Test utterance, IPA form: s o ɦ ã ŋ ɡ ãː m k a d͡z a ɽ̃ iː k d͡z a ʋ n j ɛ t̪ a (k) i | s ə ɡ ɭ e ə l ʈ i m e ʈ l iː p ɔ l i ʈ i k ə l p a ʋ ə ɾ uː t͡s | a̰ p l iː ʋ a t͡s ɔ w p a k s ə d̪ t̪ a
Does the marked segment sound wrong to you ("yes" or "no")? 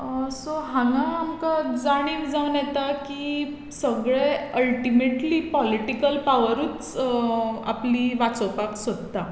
no